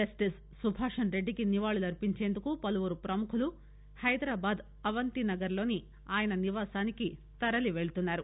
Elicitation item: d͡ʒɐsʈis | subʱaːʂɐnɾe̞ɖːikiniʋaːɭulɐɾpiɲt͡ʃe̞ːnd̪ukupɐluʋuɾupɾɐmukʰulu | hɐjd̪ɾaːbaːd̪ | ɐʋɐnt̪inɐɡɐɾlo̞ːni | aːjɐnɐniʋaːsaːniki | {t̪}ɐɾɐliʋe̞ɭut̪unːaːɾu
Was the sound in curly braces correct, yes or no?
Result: yes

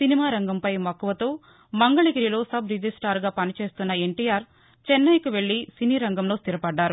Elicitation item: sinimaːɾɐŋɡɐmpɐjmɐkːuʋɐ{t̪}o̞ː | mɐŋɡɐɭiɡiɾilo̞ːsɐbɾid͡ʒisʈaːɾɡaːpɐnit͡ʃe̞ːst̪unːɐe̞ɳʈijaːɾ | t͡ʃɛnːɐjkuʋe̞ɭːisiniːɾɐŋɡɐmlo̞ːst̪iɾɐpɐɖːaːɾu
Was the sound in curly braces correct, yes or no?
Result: yes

